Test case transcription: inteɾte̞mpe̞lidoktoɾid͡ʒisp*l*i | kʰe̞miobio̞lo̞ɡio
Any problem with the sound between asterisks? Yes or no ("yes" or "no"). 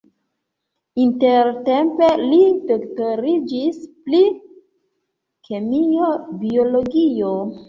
no